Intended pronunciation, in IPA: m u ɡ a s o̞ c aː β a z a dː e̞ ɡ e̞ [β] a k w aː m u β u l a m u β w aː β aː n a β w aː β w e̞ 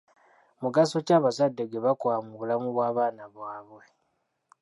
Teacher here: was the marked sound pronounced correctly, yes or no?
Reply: yes